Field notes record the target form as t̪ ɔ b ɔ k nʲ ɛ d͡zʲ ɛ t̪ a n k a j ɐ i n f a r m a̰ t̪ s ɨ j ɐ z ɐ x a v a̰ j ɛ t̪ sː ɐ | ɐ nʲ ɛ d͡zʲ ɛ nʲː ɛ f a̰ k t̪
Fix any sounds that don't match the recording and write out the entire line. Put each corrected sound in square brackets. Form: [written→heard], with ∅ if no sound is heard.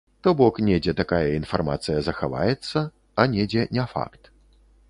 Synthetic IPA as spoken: t̪ ɔ b ɔ k nʲ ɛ d͡zʲ ɛ t̪ a [n→∅] k a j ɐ i n f a r m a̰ t̪ s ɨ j ɐ z ɐ x a v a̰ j ɛ t̪ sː ɐ | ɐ nʲ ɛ d͡zʲ ɛ [nʲː→nʲ] ɛ f a̰ k t̪